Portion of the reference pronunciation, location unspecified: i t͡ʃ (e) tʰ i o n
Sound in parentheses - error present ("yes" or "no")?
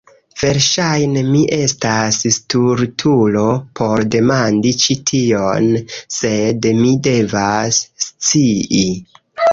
yes